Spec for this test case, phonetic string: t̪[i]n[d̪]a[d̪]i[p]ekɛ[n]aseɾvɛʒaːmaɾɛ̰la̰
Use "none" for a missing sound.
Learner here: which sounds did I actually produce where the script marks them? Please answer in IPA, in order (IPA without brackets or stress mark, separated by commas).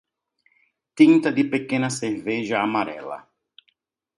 i, t̪, d̪, p, n